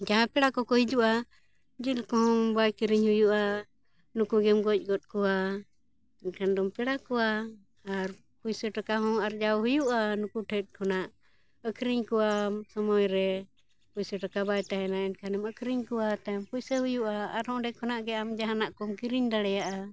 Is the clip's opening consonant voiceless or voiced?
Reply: voiced